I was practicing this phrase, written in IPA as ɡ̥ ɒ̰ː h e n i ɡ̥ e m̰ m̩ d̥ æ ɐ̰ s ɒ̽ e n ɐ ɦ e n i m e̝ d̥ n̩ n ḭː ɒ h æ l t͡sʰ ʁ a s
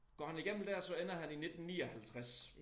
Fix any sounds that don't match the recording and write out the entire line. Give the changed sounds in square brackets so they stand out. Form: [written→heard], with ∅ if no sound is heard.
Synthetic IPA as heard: ɡ̥ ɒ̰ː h [e→æ] n i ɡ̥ e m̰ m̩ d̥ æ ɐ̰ s ɒ̽ e n ɐ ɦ [e→æ] n i [m→n] e̝ d̥ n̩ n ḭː ɒ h æ l t͡sʰ ʁ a s

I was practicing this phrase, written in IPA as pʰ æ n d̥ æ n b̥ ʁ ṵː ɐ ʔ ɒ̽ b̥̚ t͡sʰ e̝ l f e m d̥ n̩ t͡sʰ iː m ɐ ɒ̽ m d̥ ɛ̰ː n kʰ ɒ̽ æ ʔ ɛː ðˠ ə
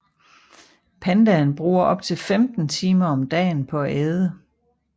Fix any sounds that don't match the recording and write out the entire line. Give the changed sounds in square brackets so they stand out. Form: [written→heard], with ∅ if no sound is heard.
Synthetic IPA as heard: pʰ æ n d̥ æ n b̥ ʁ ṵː ɐ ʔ ɒ̽ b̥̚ t͡sʰ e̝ l f e m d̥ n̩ t͡sʰ iː m ɐ ɒ̽ m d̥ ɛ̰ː n [kʰ→pʰ] ɒ̽ æ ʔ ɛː ðˠ ə

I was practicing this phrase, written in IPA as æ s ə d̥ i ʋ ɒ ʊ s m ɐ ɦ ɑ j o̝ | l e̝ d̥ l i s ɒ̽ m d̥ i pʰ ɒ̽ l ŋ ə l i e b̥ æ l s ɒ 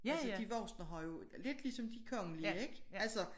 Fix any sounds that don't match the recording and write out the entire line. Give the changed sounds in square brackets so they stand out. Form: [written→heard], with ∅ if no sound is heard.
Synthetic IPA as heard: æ s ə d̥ i ʋ ɒ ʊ s [m→n] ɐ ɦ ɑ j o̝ | l e̝ d̥ l i s ɒ̽ m d̥ i [pʰ→kʰ] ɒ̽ [l→∅] ŋ ə l i e [b̥→ɡ̥] æ l s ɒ

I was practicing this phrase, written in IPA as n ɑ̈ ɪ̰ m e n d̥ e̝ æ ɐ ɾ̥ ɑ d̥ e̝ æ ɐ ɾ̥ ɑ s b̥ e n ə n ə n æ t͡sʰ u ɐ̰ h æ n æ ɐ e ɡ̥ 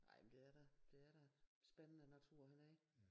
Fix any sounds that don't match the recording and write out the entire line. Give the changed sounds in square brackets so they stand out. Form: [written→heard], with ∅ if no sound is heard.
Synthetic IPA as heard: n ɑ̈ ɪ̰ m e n d̥ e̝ æ ɐ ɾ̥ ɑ d̥ e̝ æ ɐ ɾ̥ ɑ s b̥ e n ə n ə n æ t͡sʰ u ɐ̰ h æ n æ ɐ e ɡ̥

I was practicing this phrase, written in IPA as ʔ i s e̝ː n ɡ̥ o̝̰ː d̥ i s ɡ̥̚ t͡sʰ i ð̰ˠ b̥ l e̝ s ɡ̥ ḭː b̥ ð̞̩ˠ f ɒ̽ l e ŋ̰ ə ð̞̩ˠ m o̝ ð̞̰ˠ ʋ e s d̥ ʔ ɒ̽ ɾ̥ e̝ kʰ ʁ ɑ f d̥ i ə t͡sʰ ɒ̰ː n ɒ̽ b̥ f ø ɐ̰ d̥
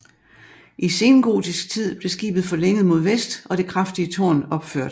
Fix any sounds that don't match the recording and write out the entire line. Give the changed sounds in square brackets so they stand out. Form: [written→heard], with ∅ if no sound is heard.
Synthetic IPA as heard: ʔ i s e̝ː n ɡ̥ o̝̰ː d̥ i s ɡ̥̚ t͡sʰ i ð̰ˠ b̥ l e̝ s ɡ̥ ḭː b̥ ð̞̩ˠ f ɒ̽ l e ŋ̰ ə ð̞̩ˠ m o̝ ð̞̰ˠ ʋ e s d̥ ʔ ɒ̽ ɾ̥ e̝ kʰ ʁ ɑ f d̥ i ə t͡sʰ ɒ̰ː n ɒ̽ b̥ f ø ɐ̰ d̥

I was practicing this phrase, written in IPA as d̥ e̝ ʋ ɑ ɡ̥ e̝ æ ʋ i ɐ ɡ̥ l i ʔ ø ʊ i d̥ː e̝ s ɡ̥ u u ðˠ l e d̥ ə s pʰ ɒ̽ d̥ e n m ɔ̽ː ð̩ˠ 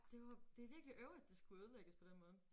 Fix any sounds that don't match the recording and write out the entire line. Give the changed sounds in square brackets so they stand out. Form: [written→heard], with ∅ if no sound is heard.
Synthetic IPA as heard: d̥ e̝ ʋ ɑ [ɡ̥→d̥] e̝ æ ʋ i ɐ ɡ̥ l i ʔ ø ʊ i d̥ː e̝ s ɡ̥ u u ðˠ l e [d̥→ɡ̥] ə s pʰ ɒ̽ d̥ e n m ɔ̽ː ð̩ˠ

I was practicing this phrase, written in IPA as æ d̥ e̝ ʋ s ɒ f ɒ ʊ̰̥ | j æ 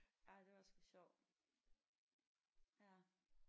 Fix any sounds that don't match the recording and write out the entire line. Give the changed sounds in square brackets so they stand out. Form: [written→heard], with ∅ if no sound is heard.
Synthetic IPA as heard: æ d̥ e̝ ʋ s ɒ [f→ɕ] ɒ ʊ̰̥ | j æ

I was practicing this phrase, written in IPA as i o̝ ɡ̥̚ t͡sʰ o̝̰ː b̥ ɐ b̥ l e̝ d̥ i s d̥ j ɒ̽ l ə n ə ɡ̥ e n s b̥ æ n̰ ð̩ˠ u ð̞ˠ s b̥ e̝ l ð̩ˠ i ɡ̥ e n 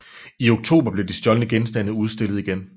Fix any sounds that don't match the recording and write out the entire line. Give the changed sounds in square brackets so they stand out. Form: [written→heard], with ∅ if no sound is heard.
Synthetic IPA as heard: i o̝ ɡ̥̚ t͡sʰ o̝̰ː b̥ ɐ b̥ l e̝ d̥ i s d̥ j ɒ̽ l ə n ə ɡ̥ e n s [b̥→d̥] æ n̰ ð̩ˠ u ð̞ˠ s [b̥→d̥] e̝ l ð̩ˠ i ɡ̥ e n

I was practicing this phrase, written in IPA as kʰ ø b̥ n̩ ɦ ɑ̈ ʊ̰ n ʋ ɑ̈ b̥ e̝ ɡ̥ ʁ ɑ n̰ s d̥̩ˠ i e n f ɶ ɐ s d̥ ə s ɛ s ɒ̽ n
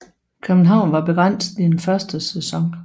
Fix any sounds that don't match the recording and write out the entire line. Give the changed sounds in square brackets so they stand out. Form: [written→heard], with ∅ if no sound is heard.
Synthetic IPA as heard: kʰ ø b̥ n̩ ɦ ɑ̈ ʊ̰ n ʋ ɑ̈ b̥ e̝ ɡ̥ ʁ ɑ n̰ s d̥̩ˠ i e n f ɶ ɐ s d̥ ə s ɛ s ɒ̽ [n→ŋ]

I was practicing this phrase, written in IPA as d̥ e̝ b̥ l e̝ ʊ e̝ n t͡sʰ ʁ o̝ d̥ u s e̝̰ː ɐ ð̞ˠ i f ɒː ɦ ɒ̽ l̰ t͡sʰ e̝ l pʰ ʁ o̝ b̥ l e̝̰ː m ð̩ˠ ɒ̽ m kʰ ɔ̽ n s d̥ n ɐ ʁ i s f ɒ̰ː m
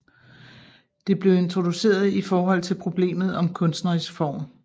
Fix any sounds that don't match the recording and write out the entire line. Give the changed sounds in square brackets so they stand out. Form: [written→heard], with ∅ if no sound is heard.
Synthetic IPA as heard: d̥ e̝ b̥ l e̝ ʊ e̝ n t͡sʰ ʁ o̝ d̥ u s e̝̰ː ɐ ð̞ˠ i f ɒː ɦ ɒ̽ l̰ t͡sʰ e̝ l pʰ ʁ o̝ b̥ l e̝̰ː m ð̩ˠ ɒ̽ m kʰ ɔ̽ n s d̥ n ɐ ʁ i s f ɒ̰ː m

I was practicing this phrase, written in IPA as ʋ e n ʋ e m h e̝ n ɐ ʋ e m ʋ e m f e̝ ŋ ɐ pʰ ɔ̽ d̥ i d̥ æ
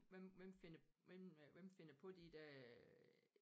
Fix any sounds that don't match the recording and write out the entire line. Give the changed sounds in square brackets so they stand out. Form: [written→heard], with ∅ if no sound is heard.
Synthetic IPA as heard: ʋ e [n→m] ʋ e m [h→f] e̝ n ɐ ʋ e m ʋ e m f e̝ [ŋ→n] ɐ pʰ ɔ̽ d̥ i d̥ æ

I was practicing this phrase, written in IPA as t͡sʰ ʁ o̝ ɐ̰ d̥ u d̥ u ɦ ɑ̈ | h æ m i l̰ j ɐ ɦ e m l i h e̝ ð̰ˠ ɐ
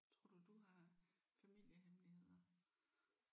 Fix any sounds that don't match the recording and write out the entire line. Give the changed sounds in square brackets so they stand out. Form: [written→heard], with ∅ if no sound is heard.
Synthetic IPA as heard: t͡sʰ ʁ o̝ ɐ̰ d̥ u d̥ u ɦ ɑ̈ | [h→f] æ m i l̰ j [ɐ→ə] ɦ e m l i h e̝ ð̰ˠ ɐ

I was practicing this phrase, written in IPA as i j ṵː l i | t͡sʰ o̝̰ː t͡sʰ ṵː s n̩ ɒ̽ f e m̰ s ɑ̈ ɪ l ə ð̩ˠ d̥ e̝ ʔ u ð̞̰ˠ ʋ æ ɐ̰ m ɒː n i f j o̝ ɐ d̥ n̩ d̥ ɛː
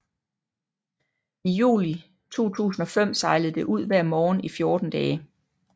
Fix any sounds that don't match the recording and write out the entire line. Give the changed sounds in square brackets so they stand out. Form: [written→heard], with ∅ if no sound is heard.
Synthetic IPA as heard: i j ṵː l i | t͡sʰ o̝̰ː t͡sʰ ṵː s n̩ ɒ̽ f e m̰ s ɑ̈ ɪ l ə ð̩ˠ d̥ e̝ ʔ u ð̞̰ˠ ʋ æ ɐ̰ m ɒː n i f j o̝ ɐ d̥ n̩ d̥ ɛː

